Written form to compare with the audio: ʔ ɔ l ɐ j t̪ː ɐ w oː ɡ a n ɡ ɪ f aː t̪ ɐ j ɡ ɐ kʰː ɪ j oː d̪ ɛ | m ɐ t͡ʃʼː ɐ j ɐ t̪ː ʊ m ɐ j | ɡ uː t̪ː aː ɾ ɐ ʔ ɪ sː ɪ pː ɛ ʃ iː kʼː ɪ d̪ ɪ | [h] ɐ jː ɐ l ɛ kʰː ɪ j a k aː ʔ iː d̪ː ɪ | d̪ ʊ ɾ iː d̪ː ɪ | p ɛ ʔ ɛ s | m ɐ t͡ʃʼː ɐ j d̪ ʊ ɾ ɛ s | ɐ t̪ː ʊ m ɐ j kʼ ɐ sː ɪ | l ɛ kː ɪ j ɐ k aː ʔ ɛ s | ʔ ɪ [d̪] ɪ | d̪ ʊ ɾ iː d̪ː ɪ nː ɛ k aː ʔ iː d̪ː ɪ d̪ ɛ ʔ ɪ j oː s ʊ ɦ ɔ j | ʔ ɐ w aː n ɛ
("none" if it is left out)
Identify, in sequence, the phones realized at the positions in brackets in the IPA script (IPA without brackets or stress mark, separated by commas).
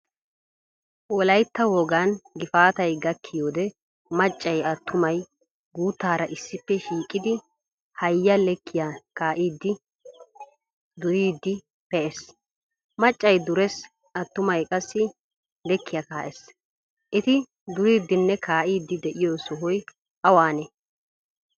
h, t̪